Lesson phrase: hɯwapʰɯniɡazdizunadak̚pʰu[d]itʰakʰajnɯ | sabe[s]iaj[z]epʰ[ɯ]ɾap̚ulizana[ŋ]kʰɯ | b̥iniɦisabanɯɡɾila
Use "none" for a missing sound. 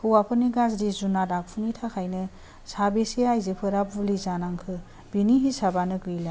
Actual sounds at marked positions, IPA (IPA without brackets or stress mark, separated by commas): n, s, z, ɯ, ŋ